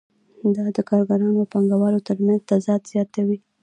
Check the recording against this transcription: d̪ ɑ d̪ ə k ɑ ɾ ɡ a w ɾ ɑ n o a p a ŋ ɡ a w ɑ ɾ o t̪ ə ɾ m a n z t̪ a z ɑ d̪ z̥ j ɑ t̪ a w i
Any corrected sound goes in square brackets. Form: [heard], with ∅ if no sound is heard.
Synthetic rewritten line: d̪ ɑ d̪ ə k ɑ ɾ ɡ a [∅] ɾ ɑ n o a p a ŋ ɡ a w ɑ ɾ o t̪ ə ɾ m a n z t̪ a z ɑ d̪ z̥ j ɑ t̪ a w i